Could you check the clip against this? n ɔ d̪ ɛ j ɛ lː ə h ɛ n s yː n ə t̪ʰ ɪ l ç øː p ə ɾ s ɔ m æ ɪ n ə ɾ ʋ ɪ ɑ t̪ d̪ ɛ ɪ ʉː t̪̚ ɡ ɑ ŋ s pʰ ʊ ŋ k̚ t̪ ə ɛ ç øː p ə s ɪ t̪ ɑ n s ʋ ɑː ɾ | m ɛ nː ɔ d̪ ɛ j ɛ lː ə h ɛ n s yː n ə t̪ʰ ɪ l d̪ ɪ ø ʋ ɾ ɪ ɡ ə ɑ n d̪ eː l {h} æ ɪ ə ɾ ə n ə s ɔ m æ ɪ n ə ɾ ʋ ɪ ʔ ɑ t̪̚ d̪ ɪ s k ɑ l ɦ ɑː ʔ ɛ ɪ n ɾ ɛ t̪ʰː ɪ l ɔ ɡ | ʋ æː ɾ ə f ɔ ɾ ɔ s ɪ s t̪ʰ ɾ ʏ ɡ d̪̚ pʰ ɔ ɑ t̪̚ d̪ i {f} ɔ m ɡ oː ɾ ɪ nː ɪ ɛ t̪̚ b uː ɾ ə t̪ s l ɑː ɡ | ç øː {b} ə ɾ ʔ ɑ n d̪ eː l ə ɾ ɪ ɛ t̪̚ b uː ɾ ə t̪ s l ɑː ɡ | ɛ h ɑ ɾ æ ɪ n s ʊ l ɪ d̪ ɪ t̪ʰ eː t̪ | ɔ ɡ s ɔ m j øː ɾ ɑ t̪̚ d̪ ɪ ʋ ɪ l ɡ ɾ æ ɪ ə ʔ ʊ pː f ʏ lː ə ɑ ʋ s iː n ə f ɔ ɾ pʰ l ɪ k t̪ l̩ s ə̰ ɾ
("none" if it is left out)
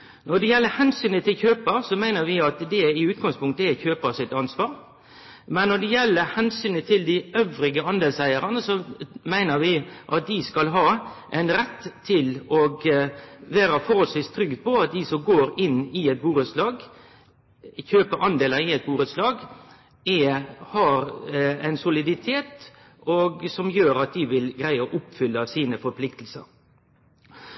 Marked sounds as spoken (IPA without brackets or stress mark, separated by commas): s, s, p